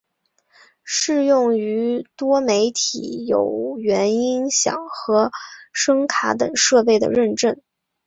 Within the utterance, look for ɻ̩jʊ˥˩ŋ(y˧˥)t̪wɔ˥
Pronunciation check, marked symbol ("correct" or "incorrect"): correct